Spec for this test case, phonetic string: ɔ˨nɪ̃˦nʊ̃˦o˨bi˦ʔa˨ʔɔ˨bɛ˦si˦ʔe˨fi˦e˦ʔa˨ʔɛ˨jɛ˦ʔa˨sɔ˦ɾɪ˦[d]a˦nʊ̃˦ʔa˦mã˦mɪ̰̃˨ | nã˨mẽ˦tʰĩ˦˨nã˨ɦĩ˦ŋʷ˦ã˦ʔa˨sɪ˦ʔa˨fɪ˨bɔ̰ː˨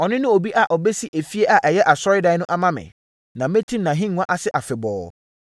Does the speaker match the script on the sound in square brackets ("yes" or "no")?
yes